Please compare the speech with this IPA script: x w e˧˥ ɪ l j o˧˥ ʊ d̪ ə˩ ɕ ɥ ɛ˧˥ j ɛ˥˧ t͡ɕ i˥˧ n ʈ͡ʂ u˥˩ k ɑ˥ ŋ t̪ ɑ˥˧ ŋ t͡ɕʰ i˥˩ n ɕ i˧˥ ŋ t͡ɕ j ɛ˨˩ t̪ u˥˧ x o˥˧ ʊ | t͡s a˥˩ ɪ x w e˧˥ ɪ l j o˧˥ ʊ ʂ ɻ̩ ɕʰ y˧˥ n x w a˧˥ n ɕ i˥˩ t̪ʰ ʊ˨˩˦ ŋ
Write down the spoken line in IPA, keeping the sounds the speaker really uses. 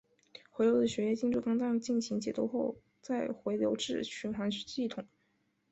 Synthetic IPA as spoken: x w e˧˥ ɪ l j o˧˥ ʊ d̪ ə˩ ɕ ɥ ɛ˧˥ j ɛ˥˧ t͡ɕ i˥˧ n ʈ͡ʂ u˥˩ k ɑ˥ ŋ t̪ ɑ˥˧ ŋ t͡ɕ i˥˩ n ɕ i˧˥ ŋ t͡ɕ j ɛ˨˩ t̪ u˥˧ x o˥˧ ʊ | t͡s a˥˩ ɪ x w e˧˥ ɪ l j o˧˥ ʊ ʈ͡ʂ ɻ̩ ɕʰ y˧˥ n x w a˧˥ n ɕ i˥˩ t̪ʰ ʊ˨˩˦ ŋ